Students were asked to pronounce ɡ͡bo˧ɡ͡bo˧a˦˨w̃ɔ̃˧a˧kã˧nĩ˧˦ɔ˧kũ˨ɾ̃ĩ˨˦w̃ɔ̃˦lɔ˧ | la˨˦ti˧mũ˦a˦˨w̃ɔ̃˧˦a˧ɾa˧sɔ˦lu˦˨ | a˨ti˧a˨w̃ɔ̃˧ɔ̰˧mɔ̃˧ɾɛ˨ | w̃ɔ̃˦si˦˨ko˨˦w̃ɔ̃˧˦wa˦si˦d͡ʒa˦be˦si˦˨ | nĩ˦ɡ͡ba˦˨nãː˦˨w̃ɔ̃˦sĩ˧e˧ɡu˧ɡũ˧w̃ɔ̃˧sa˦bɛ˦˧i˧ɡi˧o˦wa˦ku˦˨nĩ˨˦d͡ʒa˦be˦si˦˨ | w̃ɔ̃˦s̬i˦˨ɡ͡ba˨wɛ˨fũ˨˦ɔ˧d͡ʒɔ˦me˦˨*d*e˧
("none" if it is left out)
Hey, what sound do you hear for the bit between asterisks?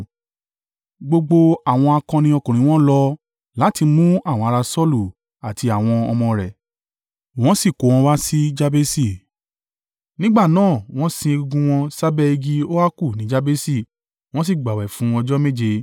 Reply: d͡ʒ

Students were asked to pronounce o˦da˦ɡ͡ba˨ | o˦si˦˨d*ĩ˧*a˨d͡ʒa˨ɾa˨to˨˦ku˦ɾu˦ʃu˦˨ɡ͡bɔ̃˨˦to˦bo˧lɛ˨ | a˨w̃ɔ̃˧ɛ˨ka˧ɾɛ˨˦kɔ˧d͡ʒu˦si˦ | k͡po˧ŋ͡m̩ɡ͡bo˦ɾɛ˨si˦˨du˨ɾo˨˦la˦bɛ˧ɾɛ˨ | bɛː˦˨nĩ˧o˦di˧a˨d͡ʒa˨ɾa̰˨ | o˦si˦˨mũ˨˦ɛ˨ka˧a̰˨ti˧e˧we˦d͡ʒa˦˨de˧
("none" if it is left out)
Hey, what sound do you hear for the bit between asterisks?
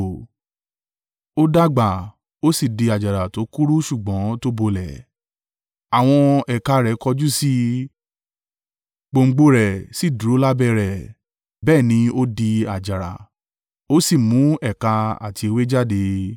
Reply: i˧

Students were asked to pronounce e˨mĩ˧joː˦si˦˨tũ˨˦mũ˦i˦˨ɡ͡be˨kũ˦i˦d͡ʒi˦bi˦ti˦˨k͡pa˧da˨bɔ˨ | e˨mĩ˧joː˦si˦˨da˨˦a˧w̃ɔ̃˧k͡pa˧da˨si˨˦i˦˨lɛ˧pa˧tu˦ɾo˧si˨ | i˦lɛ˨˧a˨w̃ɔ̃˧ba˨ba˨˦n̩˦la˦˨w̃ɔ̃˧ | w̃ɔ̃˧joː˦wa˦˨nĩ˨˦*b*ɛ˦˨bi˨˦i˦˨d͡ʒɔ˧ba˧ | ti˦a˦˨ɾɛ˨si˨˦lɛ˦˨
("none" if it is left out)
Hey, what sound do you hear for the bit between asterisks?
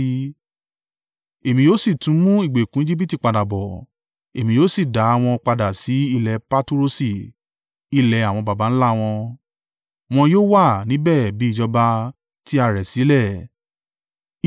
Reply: b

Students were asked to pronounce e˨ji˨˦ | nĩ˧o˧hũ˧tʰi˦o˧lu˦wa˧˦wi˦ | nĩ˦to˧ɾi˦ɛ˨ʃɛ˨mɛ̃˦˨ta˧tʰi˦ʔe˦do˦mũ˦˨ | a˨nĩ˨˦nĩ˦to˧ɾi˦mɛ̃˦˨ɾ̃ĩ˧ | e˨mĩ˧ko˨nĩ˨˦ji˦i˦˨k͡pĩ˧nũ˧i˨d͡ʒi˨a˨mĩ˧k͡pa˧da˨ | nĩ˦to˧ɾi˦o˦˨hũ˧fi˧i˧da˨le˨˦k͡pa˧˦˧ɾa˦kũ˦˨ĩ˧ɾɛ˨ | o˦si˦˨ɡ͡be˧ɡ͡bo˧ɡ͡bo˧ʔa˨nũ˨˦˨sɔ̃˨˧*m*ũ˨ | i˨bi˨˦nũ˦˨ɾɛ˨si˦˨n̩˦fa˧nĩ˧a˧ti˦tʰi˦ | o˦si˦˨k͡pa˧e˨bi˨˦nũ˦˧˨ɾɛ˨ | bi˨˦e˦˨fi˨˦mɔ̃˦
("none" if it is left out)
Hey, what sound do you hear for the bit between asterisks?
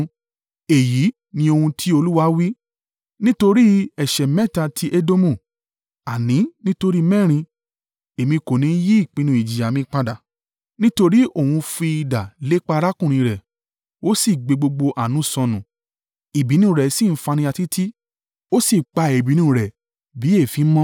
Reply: n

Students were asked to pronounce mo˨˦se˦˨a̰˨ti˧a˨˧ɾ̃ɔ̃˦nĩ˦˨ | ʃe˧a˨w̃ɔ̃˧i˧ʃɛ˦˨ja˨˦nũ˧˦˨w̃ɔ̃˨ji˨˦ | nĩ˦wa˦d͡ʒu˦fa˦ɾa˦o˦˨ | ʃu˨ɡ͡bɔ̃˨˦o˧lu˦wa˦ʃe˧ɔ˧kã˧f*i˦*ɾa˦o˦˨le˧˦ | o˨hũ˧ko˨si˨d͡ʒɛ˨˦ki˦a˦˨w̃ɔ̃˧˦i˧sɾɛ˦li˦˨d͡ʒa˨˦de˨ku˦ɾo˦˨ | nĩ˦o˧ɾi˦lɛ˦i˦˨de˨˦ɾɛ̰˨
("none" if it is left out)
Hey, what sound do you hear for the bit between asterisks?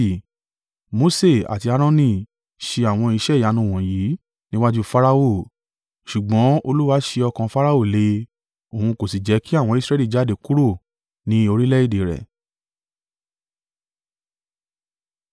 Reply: a˦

